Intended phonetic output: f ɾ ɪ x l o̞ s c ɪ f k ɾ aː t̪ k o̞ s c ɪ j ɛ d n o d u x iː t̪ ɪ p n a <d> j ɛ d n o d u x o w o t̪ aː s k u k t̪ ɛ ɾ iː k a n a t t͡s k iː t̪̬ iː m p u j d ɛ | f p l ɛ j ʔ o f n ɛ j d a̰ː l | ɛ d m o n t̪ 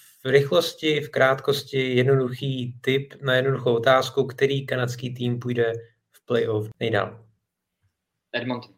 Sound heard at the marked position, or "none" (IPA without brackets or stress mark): none